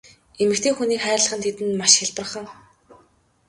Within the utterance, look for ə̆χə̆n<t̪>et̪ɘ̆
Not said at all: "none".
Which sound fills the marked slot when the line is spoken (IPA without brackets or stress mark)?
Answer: t̪ʰ